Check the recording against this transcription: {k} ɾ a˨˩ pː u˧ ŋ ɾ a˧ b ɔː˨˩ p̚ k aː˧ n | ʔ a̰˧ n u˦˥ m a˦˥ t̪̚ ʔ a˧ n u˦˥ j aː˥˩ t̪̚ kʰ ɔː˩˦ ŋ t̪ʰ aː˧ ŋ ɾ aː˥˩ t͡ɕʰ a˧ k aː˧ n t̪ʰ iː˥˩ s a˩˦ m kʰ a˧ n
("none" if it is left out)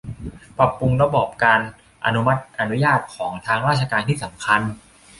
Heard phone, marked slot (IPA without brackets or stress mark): p